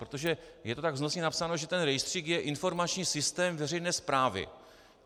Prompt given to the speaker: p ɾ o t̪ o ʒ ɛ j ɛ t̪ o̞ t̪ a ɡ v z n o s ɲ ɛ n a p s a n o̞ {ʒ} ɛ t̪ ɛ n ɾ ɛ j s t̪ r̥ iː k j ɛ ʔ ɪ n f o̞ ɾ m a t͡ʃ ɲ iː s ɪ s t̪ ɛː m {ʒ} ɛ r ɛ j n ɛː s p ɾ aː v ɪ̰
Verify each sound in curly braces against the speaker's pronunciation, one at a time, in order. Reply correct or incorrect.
correct, incorrect: v

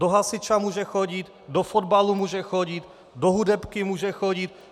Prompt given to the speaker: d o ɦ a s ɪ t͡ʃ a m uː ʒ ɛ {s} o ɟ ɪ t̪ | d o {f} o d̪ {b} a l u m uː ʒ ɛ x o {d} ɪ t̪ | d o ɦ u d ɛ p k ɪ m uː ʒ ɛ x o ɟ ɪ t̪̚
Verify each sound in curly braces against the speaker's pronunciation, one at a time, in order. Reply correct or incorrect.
incorrect: x, correct, correct, incorrect: ɟ

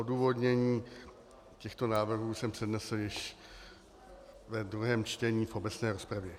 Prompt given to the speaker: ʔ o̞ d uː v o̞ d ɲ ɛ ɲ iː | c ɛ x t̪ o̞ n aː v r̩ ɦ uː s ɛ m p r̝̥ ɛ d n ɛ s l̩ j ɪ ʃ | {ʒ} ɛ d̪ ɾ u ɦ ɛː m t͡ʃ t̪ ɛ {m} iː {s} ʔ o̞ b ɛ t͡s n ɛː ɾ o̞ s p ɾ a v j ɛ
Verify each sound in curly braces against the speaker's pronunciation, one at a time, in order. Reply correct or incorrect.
incorrect: v, incorrect: ɲ, incorrect: f

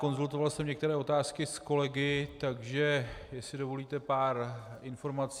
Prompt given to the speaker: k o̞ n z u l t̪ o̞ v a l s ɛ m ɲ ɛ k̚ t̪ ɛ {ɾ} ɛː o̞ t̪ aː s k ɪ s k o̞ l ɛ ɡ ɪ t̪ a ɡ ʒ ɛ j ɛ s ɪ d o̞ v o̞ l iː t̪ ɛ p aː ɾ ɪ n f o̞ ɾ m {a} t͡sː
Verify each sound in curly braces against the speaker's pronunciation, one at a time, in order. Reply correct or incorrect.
correct, correct

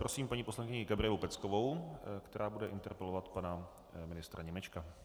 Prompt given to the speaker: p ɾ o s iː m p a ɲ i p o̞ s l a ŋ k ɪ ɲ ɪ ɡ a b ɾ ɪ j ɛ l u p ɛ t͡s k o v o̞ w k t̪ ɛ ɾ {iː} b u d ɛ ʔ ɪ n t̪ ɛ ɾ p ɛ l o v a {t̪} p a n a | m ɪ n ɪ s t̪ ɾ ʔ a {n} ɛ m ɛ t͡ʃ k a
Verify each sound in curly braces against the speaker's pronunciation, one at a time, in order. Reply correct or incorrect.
incorrect: aː, correct, incorrect: ɲ

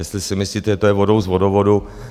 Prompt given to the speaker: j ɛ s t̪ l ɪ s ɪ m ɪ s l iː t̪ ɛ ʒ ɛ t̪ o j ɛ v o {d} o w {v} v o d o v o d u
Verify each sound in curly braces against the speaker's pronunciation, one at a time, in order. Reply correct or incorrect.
correct, incorrect: z

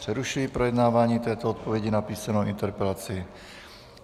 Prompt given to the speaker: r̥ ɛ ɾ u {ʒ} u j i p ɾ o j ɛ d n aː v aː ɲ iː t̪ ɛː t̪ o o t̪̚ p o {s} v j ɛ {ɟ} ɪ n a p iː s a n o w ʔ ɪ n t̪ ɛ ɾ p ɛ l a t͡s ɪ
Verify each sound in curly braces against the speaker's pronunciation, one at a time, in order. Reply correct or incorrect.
incorrect: ʃ, incorrect: none, correct

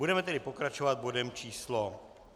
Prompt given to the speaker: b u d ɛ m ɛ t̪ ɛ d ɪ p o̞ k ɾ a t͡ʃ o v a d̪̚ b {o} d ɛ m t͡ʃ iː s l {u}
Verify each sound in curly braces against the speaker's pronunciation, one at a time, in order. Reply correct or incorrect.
correct, incorrect: o

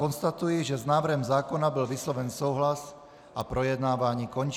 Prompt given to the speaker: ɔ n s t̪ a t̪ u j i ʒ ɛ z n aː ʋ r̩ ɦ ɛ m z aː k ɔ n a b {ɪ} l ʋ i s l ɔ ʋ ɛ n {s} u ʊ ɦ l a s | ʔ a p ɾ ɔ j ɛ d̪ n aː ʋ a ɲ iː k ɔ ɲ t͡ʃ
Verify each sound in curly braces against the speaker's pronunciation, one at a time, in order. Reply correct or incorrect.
incorrect: i, correct

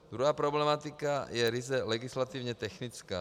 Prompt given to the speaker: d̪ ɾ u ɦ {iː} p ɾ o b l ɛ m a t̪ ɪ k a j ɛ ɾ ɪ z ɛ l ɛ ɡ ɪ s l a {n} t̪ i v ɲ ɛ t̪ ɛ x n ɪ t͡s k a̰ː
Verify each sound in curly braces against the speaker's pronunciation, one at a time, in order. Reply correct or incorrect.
incorrect: aː, incorrect: none

